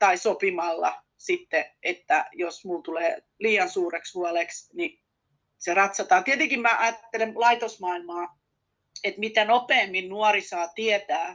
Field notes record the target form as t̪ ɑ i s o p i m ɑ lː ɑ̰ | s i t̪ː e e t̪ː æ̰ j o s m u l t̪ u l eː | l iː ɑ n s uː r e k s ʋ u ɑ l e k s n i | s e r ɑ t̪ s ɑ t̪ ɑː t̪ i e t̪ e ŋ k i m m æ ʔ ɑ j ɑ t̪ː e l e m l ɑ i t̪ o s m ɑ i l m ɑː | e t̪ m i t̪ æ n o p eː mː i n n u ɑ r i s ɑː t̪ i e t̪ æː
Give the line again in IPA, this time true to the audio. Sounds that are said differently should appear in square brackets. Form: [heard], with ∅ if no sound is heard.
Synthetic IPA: t̪ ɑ i s o p i m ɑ lː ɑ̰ | s i t̪ː e e t̪ː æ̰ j o s m u l t̪ u l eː | l iː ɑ n s uː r e k s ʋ u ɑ l e k s n i | s e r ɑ t̪ s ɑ t̪ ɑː t̪ i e t̪ e ŋ k i m m æ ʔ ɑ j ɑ t̪ː e l e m l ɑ i t̪ o s m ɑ i l m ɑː | e t̪ m i t̪ æ n o p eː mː i n n u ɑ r i s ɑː t̪ i e t̪ æː